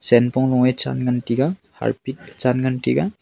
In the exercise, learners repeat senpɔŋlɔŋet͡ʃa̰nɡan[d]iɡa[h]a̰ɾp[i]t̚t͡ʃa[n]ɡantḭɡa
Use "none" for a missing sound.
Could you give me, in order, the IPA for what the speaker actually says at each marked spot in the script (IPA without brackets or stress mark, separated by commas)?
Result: t, h, i, n